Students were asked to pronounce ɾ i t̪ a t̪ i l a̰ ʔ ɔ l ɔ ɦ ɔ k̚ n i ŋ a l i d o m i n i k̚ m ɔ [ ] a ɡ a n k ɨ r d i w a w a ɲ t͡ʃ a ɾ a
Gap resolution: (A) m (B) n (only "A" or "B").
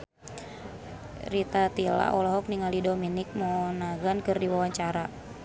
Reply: B